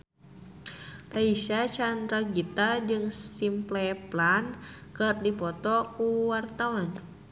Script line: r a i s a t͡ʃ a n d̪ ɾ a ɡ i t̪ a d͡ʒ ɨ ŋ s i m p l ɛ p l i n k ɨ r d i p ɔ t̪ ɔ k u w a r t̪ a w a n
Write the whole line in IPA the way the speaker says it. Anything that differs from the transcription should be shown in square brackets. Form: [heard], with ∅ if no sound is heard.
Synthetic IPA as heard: r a i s a t͡ʃ a n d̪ ɾ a ɡ i t̪ a d͡ʒ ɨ ŋ s i m p l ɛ p l [a] n k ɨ r d i p ɔ t̪ ɔ k u w a r t̪ a w a n